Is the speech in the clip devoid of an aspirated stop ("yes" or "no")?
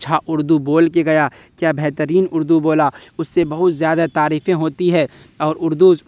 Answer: yes